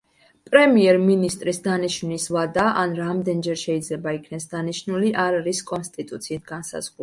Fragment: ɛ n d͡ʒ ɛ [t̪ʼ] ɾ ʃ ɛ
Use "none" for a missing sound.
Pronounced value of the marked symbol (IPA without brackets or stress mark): none